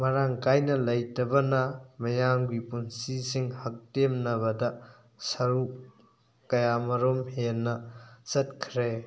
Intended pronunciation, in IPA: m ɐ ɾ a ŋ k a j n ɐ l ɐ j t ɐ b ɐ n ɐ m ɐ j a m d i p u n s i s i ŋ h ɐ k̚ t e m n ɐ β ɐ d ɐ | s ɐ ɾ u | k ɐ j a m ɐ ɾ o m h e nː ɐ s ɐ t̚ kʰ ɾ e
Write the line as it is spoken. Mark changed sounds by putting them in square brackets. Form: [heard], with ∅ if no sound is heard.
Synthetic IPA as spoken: m ɐ ɾ a ŋ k a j n ɐ l ɐ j t ɐ b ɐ n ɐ m ɐ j a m [ɡ] i p u n s i s i ŋ h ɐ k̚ t e m n ɐ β ɐ d ɐ | s ɐ ɾ u | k ɐ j a m ɐ ɾ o m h e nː ɐ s ɐ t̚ kʰ ɾ e

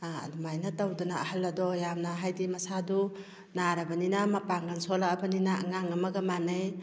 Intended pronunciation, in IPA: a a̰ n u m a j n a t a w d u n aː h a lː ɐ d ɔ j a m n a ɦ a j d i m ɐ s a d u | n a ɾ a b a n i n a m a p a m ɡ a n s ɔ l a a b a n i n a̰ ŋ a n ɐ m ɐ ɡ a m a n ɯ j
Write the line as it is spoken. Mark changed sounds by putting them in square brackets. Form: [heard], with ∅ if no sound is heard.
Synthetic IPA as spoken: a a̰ [d] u m a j n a t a w d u n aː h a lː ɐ d ɔ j a m n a ɦ a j d i m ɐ s a d u | n a ɾ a b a n i n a m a p a [ŋ] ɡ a n s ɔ l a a b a n i n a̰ ŋ a [ŋ] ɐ m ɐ ɡ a m a n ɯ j

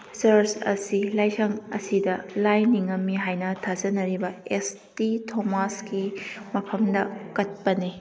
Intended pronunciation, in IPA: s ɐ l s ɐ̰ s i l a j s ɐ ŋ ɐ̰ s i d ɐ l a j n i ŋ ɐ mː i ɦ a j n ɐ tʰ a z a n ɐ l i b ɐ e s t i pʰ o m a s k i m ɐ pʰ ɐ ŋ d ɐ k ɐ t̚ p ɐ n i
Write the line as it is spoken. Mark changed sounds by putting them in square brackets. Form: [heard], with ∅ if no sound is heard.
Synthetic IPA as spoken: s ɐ [ɾ] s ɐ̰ s i l a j s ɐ ŋ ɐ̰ s i d ɐ l a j n i ŋ ɐ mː i ɦ a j n ɐ tʰ a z [ɐ] n ɐ [ɾ] i b ɐ e s t i [tʰ] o m a s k i m ɐ pʰ ɐ [m] d ɐ k ɐ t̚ p ɐ n i

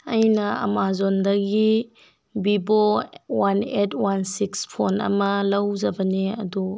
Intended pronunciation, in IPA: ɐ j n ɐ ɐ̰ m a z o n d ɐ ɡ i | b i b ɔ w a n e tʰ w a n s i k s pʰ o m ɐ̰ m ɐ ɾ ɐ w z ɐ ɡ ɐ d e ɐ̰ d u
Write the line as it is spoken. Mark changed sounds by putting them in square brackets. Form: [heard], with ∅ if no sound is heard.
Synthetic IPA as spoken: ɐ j n ɐ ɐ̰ m a z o n d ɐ ɡ i | b i b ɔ w a n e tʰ w a n s i k s pʰ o [n] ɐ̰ m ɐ [l] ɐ w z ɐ [b] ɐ [n] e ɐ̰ d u

